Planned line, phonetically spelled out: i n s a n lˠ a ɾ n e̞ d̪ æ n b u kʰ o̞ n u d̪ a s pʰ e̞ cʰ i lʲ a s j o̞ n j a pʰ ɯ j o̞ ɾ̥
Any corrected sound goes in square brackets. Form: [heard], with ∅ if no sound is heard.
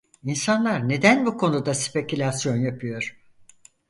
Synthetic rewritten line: i n s a n lˠ a ɾ n e̞ d̪ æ n b u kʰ o̞ n u d̪ a s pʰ e̞ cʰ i lʲ a s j o̞ n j a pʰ ɯ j o̞ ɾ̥